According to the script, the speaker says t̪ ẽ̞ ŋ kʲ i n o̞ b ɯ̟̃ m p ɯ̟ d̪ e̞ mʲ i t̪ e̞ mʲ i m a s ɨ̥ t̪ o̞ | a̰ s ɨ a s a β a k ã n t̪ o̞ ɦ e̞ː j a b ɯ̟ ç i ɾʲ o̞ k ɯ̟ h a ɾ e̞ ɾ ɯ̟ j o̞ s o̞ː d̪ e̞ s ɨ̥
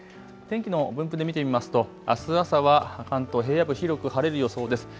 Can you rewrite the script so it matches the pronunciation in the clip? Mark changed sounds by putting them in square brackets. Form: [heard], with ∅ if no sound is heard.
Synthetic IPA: t̪ ẽ̞ ŋ kʲ i n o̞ b ɯ̟̃ m p ɯ̟ d̪ e̞ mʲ i t̪ e̞ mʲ i m a s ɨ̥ t̪ o̞ | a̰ s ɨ a s a β a k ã n t̪ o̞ ɦ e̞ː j a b ɯ̟ ç i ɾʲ o̞ k ɯ̟ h a ɾ e̞ ɾ ɯ̟ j o̞ s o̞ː d̪ e̞ s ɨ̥